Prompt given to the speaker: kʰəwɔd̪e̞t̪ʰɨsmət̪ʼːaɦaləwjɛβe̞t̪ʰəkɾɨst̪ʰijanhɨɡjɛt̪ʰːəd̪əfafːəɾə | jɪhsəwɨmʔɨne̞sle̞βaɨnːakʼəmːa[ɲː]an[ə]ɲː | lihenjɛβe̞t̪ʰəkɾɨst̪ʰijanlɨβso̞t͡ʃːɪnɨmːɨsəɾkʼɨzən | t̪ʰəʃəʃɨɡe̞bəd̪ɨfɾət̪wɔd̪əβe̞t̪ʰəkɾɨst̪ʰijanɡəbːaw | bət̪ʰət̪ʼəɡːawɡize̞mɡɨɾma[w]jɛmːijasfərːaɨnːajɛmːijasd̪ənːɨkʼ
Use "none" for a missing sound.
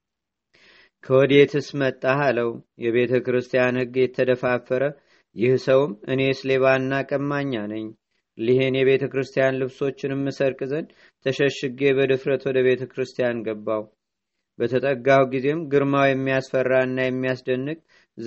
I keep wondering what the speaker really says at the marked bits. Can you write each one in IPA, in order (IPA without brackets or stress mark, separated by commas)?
ɲː, ə, w